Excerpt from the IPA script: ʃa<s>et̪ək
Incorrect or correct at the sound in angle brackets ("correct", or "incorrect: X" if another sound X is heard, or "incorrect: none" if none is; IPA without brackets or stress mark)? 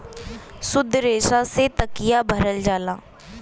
correct